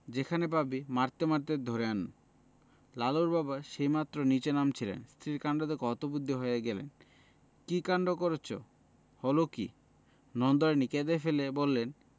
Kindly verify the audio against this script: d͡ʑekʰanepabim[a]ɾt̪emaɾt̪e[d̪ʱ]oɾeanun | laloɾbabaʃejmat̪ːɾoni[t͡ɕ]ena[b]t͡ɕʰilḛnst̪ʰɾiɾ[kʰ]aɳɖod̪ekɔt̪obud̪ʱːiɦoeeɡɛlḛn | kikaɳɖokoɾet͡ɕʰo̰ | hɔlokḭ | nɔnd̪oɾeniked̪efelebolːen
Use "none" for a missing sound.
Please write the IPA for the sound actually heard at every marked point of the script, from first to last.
a, d̪ʱ, t͡ɕ, m, k

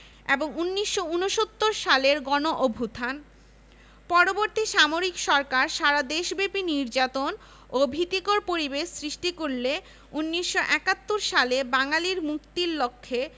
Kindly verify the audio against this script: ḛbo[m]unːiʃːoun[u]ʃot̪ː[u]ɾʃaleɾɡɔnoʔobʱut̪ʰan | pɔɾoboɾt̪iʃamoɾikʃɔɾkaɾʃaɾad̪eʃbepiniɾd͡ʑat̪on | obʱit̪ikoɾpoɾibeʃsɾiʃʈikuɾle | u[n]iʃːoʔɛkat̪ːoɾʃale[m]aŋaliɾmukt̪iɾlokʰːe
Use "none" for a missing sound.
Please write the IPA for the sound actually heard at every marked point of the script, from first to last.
ŋ, o, o, nː, b

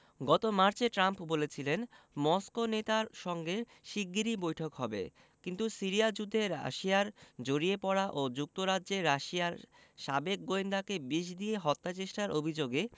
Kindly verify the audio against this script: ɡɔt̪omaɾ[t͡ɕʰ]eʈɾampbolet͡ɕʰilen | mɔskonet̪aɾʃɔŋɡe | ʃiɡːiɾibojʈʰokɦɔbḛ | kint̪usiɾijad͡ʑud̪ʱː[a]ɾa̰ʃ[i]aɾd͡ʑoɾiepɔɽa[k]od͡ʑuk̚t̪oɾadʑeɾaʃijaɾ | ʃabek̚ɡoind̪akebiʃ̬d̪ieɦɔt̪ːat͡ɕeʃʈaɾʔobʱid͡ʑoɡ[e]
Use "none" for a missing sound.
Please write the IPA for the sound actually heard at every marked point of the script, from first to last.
t͡ɕ, e, i, ʔ, e

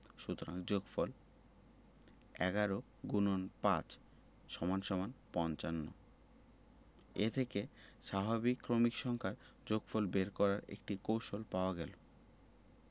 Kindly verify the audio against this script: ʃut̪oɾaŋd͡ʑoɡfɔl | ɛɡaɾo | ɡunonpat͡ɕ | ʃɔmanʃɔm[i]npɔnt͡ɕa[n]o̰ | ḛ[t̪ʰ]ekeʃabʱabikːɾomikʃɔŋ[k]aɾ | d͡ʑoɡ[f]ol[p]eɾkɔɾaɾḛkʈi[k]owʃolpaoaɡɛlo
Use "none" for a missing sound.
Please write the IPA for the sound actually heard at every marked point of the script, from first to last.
a, nː, t̪ʰ, kʰ, f, b, k

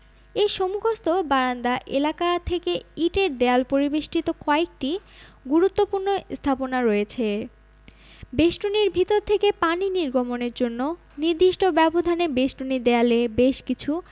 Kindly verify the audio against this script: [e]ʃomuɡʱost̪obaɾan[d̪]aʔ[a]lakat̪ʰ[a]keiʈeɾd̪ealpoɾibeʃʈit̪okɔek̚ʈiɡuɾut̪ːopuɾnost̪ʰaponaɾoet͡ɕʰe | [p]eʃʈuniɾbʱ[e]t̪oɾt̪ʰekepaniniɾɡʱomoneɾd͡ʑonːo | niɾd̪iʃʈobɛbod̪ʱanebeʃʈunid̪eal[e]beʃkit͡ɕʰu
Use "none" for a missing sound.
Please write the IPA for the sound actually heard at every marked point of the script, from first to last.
e, d̪, e, e, b, i, e

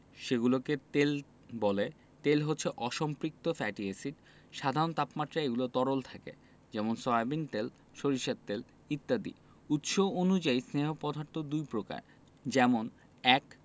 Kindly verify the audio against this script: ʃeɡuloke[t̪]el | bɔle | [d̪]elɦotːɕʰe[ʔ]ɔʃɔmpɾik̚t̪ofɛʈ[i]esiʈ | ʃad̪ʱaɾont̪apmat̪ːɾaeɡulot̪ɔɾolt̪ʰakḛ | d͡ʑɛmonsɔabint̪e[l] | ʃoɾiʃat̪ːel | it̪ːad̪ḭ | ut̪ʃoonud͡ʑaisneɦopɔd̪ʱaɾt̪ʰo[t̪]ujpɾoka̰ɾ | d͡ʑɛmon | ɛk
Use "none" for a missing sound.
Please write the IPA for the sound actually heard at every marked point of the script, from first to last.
t̪, t̪, ʔ, i, l, d̪

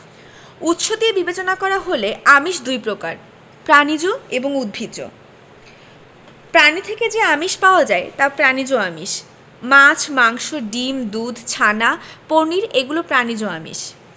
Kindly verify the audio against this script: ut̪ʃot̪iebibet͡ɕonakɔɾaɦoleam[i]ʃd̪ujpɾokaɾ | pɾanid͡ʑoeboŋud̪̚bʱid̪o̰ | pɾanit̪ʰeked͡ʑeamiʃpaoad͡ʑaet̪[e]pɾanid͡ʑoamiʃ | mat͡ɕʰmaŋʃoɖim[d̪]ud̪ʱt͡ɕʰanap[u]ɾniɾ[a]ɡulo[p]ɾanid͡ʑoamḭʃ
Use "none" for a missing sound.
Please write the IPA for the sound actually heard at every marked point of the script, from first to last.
i, a, d̪, o, e, p

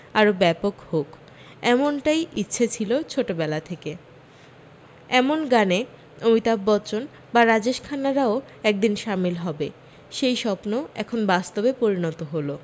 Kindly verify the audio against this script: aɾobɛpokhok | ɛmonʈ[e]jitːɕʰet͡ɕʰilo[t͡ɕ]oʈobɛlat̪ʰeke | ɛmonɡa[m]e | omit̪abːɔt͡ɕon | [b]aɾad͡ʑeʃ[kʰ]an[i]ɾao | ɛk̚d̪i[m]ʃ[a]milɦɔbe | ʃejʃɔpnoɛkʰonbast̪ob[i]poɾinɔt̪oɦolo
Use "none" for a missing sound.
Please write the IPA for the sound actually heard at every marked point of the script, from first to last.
a, t͡ɕʰ, n, b, kʰ, a, n, a, e

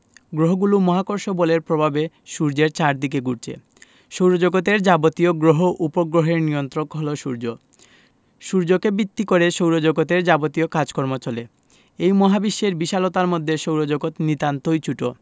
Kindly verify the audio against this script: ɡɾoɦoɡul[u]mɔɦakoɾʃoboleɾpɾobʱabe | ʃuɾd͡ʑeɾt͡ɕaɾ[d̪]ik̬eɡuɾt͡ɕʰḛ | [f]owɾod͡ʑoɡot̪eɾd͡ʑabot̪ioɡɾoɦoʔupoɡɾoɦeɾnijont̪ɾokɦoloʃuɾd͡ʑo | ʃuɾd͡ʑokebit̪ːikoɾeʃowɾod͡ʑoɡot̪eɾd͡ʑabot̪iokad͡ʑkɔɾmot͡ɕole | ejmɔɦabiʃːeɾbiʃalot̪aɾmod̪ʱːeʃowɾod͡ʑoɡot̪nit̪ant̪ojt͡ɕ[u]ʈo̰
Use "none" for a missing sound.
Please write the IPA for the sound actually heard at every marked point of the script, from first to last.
u, d̪, ʃ, u

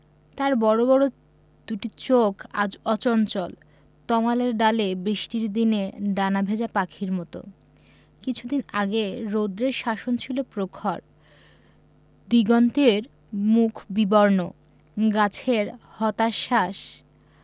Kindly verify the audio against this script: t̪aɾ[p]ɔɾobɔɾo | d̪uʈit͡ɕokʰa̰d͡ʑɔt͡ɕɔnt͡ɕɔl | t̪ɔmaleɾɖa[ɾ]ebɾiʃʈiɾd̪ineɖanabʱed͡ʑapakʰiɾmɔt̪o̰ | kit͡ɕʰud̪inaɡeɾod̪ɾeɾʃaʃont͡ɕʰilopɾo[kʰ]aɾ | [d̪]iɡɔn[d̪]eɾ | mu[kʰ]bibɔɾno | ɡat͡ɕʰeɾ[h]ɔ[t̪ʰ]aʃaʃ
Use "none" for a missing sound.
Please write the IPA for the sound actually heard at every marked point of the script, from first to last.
b, l, kʰ, d̪, t̪, kʰ, h, t̪

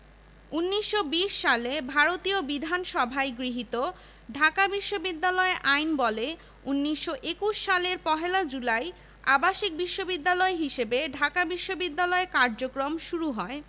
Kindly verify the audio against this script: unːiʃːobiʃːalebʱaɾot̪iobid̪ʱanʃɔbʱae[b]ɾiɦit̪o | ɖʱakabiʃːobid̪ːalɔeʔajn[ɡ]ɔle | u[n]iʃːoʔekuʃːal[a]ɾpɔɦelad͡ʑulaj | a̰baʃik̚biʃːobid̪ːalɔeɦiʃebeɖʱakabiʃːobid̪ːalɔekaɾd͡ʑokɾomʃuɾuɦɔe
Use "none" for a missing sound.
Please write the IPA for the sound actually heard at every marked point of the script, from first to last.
ɡ, b, nː, e

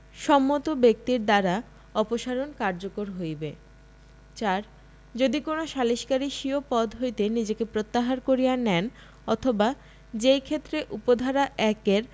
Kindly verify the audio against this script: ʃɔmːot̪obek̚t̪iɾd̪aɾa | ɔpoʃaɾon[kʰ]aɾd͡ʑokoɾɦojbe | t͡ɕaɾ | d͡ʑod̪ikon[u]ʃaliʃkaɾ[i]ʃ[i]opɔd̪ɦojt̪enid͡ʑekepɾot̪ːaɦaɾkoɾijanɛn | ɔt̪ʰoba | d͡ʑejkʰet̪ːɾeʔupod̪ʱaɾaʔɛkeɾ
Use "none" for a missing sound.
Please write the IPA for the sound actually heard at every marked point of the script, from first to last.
k, o, i, i

